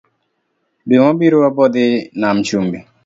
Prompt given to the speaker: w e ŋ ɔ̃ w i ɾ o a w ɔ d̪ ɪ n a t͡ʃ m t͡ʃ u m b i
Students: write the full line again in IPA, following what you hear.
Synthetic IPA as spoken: b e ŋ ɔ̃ b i ɾ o a b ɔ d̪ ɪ n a m t͡ʃ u m b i